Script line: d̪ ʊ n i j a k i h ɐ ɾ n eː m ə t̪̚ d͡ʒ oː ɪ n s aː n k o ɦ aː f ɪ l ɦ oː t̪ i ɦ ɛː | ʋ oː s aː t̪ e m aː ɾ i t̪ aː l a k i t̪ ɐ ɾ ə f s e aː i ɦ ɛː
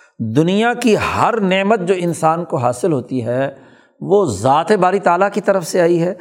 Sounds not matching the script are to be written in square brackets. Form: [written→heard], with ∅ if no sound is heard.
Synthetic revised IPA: d̪ ʊ n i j a k i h ɐ ɾ n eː m ə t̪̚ d͡ʒ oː ɪ n s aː n k o ɦ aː [f→s] ɪ l ɦ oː t̪ i ɦ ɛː | ʋ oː [s→z] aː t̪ e [m→b] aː ɾ i t̪ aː l a k i t̪ ɐ ɾ ə f s e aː i ɦ ɛː